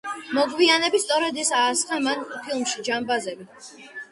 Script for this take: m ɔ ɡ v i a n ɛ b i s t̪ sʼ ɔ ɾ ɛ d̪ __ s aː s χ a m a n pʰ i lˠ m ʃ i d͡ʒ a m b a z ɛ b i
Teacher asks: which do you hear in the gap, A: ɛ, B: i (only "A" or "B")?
A